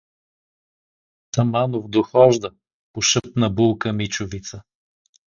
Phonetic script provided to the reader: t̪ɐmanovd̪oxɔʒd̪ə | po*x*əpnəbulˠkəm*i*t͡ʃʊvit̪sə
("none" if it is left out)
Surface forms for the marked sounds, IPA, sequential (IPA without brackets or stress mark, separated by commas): ʃ, i